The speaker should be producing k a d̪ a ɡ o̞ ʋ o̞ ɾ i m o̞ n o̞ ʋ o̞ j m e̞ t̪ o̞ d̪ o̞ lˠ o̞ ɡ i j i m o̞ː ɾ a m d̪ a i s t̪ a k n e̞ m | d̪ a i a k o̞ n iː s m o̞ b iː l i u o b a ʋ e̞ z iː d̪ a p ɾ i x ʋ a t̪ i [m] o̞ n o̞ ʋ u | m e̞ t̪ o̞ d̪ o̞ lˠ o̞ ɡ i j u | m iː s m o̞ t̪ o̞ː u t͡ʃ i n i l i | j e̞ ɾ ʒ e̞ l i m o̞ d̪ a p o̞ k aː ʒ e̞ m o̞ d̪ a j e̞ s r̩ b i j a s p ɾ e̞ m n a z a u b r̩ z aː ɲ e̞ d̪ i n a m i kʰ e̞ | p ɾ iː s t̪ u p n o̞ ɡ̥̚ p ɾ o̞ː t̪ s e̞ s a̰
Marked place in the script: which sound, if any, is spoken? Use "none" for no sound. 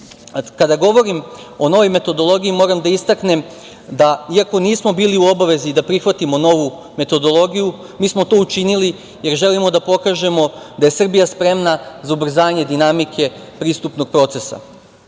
m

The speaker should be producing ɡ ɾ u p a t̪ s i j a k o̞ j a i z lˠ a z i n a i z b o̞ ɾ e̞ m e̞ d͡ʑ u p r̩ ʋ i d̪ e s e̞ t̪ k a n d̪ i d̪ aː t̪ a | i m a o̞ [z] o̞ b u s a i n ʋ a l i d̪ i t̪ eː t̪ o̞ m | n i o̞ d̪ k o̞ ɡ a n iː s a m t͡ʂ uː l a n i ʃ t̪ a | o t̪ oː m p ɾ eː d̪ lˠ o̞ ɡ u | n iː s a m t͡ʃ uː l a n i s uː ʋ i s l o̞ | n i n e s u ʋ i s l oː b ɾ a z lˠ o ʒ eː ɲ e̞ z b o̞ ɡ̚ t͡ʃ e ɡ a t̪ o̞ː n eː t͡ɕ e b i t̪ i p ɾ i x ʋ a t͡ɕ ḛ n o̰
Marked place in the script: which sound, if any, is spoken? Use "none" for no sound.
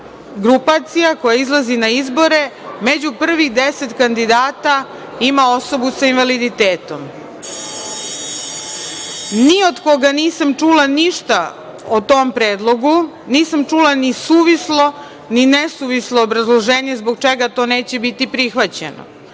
s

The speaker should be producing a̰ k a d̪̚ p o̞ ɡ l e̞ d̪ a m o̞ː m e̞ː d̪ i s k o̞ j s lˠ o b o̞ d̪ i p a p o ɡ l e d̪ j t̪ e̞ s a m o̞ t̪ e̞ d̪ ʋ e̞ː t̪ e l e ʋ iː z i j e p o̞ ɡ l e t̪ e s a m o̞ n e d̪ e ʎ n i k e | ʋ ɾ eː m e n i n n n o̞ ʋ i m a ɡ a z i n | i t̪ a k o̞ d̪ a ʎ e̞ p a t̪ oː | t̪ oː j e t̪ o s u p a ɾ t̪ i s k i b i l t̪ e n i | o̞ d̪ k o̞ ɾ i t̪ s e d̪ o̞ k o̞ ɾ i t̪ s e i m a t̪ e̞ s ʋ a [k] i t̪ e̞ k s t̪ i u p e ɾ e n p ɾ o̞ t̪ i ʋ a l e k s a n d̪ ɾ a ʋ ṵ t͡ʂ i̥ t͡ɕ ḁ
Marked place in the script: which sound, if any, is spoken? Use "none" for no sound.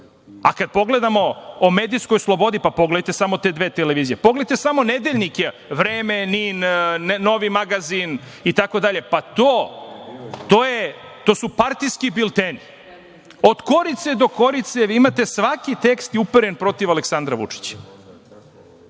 k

